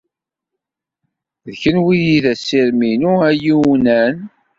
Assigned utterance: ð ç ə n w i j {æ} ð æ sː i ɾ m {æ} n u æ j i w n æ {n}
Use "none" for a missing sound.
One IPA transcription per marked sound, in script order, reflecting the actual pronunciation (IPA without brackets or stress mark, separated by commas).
i, i, n